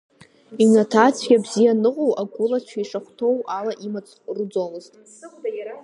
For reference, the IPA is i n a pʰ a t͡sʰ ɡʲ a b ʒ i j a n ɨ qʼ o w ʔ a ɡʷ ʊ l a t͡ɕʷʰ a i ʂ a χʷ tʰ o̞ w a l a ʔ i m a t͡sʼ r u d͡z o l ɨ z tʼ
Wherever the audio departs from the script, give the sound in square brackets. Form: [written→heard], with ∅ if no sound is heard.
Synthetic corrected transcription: i n a [pʰ→tʰ] a t͡sʰ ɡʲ a b [ʒ→z] i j a n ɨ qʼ o w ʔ a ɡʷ ʊ l a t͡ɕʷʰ a i ʂ a χʷ tʰ o̞ w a l a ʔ i m a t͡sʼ r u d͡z o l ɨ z tʼ

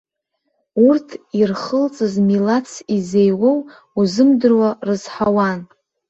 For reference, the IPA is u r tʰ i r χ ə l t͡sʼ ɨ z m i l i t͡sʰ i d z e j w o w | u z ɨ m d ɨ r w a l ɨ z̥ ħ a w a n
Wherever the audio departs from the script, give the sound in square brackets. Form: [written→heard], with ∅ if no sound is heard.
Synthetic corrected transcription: u r tʰ i r χ ə l t͡sʼ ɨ z m i l [i→a] t͡sʰ i [d→∅] z e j w o w | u z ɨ m d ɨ r w a [l→r] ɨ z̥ ħ a w a n

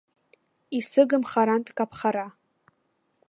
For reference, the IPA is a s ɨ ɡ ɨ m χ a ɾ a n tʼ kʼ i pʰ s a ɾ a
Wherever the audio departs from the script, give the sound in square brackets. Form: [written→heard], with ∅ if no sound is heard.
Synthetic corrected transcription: [a→i] s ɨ ɡ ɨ m χ a ɾ a n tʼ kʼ [i→a] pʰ [s→χ] a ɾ a

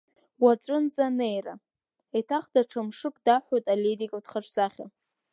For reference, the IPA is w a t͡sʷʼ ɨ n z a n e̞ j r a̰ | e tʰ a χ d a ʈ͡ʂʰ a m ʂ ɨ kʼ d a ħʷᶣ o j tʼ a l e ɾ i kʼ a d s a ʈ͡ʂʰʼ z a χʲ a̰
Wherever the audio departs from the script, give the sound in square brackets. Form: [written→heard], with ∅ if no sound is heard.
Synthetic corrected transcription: w a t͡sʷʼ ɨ n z a n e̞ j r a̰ | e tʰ a χ d a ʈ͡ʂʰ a m ʂ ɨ kʼ d a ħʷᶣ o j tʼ a l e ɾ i kʼ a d [s→χ] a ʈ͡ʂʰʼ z a χʲ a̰

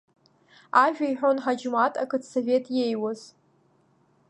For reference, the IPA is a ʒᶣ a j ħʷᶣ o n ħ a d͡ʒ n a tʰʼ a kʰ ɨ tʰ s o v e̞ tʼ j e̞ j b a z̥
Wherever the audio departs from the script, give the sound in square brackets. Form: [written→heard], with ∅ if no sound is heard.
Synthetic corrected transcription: a ʒᶣ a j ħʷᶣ o n ħ a d͡ʒ [n→m] a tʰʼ a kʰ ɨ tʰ s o v e̞ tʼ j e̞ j [b→w] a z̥

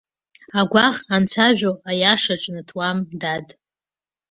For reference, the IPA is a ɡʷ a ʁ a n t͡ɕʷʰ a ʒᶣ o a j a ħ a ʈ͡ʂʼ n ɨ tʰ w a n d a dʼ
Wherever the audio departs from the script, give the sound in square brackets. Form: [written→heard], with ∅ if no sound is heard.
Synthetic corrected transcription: a ɡʷ a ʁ a n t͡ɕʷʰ a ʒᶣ o a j a [ħ→ʂ] a ʈ͡ʂʼ n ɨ tʰ w a [n→m] d a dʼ

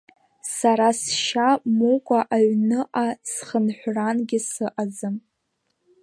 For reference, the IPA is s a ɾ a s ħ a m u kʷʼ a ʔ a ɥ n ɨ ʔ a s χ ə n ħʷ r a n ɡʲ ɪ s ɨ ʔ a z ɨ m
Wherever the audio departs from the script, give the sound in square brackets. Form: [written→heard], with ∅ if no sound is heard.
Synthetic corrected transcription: s a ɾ a s [ħ→ʃ] a m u kʷʼ a ʔ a ɥ n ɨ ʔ a s χ ə n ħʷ r a n ɡʲ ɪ s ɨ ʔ a z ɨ m

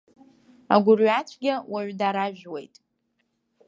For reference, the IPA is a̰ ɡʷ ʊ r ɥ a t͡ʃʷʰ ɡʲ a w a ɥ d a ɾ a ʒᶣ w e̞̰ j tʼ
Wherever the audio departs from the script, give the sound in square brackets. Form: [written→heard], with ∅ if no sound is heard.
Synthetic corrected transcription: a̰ ɡʷ ʊ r ɥ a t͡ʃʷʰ ɡʲ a w a ɥ d a ɾ a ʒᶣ w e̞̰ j tʼ

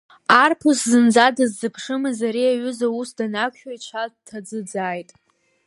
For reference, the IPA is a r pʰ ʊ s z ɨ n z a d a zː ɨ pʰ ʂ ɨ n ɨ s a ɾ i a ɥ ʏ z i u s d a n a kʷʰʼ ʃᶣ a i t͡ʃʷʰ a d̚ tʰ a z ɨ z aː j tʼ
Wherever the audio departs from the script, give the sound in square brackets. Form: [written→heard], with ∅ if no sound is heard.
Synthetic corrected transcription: a r pʰ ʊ s z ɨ n [z→d͡z] a d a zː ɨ pʰ ʂ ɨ [n→m] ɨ [s→z] a ɾ i a ɥ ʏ z [i→a] u s d a n a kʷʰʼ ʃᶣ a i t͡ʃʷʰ a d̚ tʰ a [z→d͡z] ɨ [z→d͡z] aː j tʼ

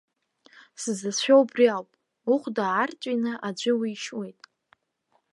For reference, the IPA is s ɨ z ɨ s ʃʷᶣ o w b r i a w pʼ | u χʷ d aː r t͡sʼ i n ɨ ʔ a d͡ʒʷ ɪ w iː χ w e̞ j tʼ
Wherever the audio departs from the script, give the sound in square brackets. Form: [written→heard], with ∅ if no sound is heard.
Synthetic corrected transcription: s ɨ z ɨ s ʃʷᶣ o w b r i a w pʼ | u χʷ d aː r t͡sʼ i n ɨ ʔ a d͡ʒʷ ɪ w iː [χ→ʃ] w e̞ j tʼ

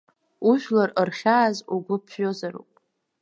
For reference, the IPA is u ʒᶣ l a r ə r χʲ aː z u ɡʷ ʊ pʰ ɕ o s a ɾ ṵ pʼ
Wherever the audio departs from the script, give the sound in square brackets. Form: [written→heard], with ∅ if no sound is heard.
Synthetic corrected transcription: u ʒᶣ l a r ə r χʲ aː z u ɡʷ ʊ pʰ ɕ o [s→z] a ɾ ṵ pʼ

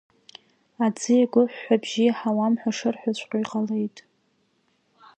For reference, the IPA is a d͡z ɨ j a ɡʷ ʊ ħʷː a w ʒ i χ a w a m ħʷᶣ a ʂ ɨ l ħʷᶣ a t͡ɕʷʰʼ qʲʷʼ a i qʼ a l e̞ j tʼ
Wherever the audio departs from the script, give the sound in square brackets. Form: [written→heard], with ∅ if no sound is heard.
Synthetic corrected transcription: a d͡z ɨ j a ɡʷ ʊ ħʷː a [w→b] ʒ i [χ→ħ] a w a m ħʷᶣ a ʂ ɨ [l→r] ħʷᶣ a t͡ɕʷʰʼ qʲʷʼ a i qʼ a l e̞ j tʼ

